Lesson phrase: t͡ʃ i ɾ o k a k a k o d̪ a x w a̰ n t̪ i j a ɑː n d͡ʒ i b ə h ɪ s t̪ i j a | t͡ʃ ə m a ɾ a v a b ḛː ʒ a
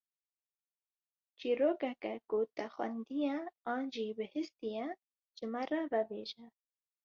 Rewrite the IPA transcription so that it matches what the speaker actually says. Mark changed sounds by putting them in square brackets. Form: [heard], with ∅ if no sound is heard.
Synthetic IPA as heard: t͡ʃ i ɾ o k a k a k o [t̪] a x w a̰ n [d̪] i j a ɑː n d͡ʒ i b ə h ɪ s t̪ i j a | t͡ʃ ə m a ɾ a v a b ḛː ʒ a